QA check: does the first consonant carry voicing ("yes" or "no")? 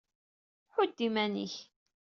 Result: no